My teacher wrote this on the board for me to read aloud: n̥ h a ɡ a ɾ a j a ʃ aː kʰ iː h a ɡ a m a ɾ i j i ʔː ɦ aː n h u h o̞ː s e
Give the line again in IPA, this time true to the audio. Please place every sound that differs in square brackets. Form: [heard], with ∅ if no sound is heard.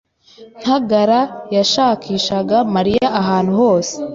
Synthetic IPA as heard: n̥ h a ɡ a ɾ a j a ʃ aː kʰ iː [ʃ] a ɡ a m a ɾ i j [a] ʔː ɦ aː n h u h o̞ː s e